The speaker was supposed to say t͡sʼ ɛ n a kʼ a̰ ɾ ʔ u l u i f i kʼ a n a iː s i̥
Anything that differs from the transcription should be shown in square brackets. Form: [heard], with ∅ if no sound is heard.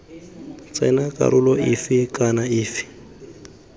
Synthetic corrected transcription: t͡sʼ ɛ n a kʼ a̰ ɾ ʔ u l [ɔ] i f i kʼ a n a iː [f] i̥